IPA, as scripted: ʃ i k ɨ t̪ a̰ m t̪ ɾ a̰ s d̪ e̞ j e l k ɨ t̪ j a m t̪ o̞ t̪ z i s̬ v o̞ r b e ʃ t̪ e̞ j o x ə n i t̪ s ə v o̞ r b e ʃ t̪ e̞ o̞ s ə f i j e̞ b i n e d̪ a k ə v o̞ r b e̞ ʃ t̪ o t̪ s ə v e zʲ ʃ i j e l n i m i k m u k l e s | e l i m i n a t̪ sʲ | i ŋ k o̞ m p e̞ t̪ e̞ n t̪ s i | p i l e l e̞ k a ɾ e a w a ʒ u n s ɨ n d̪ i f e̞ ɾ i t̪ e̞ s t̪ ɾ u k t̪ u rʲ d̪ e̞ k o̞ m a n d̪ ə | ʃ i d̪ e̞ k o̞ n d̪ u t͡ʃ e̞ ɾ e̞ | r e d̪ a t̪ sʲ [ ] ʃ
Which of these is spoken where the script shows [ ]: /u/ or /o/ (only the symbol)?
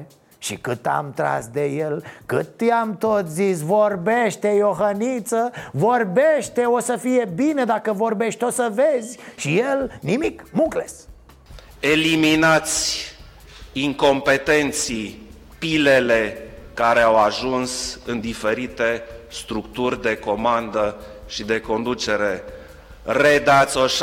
o